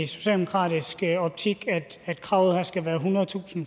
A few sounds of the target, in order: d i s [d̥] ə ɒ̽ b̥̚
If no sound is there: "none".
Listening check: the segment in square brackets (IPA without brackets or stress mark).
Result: ɡ̥